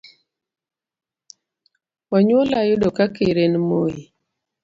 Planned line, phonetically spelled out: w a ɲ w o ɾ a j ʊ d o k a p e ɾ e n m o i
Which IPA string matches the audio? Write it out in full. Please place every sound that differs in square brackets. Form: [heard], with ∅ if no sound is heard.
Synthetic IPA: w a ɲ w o [l] a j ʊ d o k a [k] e ɾ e n m o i